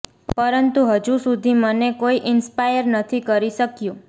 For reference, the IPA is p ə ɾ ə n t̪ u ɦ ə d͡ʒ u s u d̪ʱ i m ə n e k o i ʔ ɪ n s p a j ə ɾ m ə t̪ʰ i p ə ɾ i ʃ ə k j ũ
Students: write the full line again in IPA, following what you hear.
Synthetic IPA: p ə ɾ ə n t̪ u ɦ ə d͡ʒ u s u d̪ʱ i m ə n e k o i ʔ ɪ n s p a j ə ɾ n ə t̪ʰ i k ə ɾ i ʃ ə k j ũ